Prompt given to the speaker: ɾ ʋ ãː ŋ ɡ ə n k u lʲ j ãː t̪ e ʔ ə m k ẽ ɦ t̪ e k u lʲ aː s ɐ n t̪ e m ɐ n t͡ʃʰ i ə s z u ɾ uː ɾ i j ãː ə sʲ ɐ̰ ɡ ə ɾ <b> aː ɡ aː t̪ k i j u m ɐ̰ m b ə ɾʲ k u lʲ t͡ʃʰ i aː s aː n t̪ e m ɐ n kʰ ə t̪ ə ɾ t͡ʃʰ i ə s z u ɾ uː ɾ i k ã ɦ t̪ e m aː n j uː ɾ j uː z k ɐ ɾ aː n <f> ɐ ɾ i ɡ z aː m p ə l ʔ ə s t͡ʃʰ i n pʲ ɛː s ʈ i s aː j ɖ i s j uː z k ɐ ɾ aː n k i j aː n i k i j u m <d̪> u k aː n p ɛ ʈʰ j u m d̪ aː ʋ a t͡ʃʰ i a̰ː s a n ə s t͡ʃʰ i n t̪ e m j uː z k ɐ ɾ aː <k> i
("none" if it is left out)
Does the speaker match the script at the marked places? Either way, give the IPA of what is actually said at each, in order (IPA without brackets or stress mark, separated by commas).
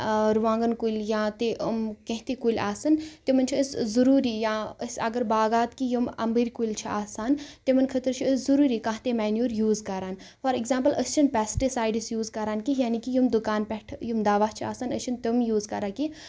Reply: b, f, d̪, k